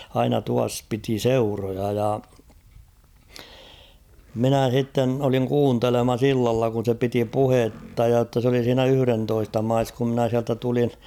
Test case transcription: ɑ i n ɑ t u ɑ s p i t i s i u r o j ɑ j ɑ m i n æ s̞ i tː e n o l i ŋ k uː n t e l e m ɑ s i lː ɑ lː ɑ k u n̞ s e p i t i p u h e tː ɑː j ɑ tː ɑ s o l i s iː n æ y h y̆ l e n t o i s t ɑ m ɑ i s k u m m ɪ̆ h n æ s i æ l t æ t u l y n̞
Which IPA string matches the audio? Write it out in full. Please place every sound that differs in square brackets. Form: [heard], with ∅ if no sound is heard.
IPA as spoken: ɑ i n ɑ t u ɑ s p i t i s [e] u r o j ɑ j ɑ m i n æ s̞ i tː e n o l i ŋ k uː n t e l e m ɑ s i lː ɑ lː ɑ k u n̞ s e p i t i p u h e tː [ɑ] j ɑ tː ɑ s o l i s iː n æ y h y̆ [r] e n t o i s t ɑ m ɑ i s k u m m ɪ̆ [∅] n æ s i æ l t æ t u l [i] n̞